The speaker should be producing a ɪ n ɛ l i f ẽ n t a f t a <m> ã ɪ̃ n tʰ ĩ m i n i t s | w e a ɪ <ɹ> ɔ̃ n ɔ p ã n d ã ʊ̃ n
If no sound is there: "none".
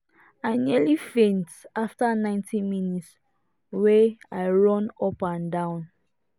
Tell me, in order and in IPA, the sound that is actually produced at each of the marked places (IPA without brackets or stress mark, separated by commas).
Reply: n, ɹ